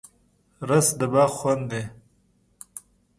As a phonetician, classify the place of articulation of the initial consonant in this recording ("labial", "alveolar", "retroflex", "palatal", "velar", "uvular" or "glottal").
alveolar